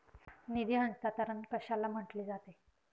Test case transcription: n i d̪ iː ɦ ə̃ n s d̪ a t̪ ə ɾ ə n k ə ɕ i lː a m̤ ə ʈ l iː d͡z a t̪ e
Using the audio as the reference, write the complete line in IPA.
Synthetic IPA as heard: n i d̪ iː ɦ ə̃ n s t̪ a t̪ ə ɾ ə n k ə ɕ a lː a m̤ ə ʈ l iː d͡z a t̪ e

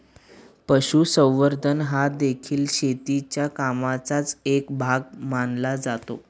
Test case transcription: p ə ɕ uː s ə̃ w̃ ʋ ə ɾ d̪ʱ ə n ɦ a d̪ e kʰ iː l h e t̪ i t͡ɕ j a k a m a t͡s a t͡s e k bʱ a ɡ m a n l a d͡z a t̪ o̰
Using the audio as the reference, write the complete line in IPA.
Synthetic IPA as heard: p ə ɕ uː s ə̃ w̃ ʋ ə ɾ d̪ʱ ə n ɦ a d̪ e kʰ iː l ɕ e t̪ i t͡ɕ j a k a m a t͡s a t͡s e k bʱ a ɡ m a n l a d͡z a t̪ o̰

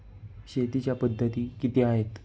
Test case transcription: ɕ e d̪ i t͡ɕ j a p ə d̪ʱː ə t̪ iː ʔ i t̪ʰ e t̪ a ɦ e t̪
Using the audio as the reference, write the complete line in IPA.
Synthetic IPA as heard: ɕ e t̪ i t͡ɕ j a p ə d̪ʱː ə t̪ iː k i t̪ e a ɦ e t̪

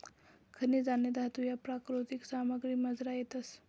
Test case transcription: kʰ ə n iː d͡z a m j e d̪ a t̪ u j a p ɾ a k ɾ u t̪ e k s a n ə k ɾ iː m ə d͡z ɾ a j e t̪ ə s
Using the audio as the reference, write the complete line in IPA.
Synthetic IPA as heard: kʰ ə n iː d͡z a n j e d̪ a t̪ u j a p ɾ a k ɾ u t̪ i k s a m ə ɡ ɾ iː m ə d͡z ɾ a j e t̪ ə s

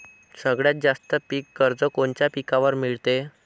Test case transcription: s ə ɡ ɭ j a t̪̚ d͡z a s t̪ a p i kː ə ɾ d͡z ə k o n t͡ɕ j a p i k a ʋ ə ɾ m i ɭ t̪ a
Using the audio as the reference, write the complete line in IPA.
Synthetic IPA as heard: s ə ɡ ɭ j a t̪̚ d͡z a s t̪ ə p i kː ə ɾ d͡z ə k o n t͡ɕ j a p i k a ʋ ə ɾ m i ɭ t̪ e

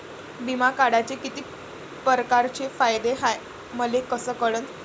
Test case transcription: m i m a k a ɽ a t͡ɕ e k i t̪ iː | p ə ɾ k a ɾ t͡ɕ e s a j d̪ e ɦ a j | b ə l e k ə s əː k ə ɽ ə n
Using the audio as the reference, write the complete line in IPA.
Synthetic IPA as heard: b i m a k a ɽ a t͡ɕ e k i t̪ iː | p ə ɾ k a ɾ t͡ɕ e f a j d̪ e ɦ a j | m ə l e k ə s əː k ə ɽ ə n

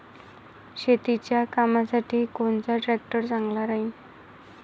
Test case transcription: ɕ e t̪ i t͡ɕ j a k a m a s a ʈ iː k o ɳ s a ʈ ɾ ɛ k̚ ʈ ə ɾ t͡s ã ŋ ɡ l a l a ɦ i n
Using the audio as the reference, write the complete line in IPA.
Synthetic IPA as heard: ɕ e t̪ i t͡ɕ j a k a m a s a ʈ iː k o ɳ t͡s a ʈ ɾ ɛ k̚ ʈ ə ɾ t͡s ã ŋ ɡ l a ɾ a ɦ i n

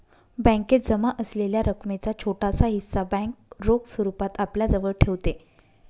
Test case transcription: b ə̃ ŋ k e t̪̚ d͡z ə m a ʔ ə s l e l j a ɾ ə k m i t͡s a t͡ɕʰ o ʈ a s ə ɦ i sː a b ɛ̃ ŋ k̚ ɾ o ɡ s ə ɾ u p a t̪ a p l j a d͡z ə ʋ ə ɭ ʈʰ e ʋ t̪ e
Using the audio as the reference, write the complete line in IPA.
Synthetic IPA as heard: b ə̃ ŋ k e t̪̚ d͡z ə m a ʔ ə s l e l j a ɾ ə k m e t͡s a t͡ɕʰ o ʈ a s a ɦ i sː a b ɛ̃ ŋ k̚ ɾ o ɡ s ə ɾ u p a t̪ a p l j a d͡z ə ʋ ə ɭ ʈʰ e ʋ t̪ e

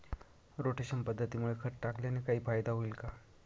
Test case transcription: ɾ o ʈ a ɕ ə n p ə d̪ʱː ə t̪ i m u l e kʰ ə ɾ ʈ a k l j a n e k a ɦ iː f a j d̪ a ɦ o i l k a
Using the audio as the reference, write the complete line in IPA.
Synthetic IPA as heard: ɾ o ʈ e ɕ ə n p ə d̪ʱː ə t̪ i m u ɭ e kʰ ə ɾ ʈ a k l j a n e k a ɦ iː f a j d̪ a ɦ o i l k a

